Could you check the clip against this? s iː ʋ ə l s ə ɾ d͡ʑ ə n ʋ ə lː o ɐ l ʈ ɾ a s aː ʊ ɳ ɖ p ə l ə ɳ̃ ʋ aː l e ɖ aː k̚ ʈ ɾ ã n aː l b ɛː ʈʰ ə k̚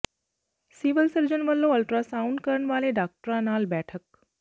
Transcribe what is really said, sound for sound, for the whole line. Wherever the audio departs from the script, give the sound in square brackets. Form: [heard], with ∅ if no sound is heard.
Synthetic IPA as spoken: s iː ʋ ə l s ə ɾ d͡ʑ ə n ʋ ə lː o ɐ l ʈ ɾ a s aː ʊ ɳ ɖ [k] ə [ɾ] ə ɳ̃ ʋ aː l e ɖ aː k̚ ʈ ɾ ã n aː l b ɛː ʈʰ ə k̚